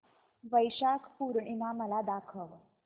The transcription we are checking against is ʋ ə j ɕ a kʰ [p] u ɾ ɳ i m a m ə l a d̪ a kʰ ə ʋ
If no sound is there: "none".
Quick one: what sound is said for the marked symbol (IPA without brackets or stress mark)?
p